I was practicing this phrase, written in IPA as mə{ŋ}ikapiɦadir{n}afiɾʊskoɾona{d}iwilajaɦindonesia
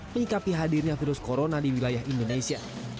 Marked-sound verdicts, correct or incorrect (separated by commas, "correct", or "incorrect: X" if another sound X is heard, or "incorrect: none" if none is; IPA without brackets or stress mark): incorrect: ɲ, incorrect: ɲ, correct